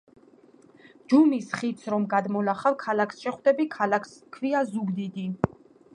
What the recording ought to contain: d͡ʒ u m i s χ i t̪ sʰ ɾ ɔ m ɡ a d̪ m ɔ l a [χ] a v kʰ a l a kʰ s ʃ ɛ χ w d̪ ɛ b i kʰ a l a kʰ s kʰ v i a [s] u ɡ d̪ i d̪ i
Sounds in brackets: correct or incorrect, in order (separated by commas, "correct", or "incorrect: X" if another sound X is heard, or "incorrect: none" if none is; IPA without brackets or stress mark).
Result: correct, incorrect: z